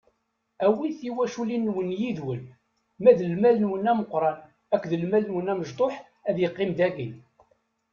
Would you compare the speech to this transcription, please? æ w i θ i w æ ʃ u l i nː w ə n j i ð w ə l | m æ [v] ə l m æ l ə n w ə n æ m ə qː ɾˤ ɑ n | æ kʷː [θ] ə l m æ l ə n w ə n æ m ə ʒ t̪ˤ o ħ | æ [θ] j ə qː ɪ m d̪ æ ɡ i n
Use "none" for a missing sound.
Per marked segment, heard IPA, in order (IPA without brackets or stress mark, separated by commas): ð, ð, ð